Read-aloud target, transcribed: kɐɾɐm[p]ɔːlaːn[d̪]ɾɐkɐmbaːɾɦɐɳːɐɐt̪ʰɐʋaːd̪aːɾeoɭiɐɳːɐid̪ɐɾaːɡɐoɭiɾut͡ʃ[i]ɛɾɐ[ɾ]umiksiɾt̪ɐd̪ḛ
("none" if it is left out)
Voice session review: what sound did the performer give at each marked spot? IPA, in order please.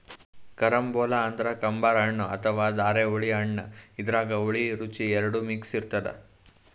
b, d̪, i, ɽ

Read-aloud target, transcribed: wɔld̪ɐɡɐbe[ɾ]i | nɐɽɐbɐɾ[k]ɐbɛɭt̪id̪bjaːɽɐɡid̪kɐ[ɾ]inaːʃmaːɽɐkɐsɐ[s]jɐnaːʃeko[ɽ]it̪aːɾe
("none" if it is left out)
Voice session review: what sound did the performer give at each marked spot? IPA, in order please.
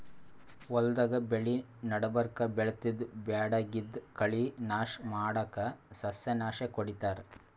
ɭ, k, ɭ, s, ɽ

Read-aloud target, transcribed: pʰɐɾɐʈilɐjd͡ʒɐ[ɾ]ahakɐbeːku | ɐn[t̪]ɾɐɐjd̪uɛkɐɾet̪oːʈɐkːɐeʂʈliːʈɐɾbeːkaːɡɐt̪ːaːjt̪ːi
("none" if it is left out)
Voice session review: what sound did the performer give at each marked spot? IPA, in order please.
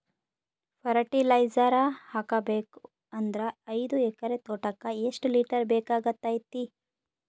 ɾ, d̪

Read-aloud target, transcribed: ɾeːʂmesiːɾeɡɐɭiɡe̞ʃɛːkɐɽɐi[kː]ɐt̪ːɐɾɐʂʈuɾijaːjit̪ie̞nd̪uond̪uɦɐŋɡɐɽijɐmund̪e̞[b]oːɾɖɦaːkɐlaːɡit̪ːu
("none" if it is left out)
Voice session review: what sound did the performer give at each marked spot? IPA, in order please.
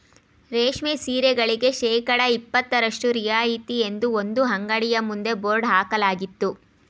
pː, b

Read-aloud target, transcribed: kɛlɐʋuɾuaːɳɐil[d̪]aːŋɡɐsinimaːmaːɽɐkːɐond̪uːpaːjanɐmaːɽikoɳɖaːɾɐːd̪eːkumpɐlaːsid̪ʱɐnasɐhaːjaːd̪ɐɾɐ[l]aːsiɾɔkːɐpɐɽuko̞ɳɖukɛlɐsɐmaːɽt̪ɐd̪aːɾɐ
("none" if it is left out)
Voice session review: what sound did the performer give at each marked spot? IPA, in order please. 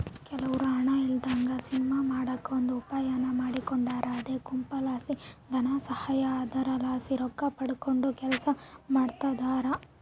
d̪, l

